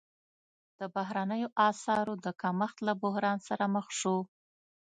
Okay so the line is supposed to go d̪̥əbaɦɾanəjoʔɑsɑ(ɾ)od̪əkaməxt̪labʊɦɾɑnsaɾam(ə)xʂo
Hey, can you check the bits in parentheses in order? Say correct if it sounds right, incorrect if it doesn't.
correct, correct

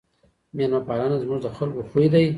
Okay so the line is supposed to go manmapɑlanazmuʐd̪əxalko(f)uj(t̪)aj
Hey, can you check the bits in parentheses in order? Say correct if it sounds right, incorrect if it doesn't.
incorrect, incorrect

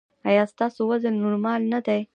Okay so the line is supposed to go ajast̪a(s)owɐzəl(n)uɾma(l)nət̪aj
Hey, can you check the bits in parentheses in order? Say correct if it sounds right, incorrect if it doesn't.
correct, correct, correct

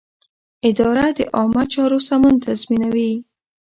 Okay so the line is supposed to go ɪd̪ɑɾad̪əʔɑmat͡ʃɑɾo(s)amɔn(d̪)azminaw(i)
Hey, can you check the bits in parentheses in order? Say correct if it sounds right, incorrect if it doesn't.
correct, incorrect, correct

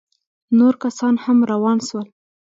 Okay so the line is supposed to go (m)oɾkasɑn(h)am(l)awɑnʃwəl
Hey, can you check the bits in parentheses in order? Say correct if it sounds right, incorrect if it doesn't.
incorrect, correct, incorrect

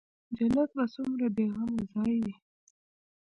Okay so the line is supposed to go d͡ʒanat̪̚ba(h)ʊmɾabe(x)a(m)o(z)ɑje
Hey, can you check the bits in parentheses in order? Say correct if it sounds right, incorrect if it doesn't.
incorrect, incorrect, correct, correct

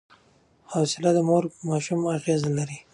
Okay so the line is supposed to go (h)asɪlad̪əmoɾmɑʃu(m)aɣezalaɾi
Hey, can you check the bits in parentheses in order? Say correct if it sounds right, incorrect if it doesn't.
correct, correct

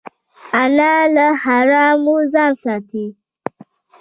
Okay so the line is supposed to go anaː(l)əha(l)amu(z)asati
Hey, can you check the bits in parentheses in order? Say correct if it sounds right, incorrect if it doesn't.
correct, incorrect, correct

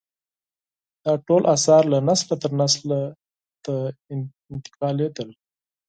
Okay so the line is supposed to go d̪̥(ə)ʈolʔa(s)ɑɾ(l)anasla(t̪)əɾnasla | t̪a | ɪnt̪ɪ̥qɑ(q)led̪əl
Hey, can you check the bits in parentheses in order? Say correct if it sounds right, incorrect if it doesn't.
incorrect, correct, correct, correct, incorrect

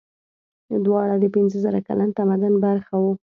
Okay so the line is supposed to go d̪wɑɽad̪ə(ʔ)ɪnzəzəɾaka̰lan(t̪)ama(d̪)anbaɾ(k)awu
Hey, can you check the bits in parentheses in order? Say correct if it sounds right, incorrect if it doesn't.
incorrect, correct, correct, incorrect

